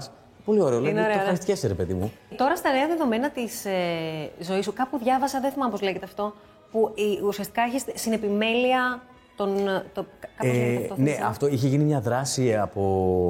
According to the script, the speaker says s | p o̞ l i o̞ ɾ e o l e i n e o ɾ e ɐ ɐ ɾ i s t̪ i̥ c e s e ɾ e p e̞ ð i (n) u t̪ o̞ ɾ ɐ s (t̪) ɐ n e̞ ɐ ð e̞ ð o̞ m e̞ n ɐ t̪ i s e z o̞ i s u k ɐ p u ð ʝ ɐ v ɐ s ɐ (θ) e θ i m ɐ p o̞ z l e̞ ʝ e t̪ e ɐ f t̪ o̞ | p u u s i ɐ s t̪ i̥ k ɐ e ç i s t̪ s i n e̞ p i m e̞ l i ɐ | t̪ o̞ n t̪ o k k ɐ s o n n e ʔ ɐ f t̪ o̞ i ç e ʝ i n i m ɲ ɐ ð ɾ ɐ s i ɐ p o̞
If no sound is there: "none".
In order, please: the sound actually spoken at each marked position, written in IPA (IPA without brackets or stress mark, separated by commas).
m, t̪, ð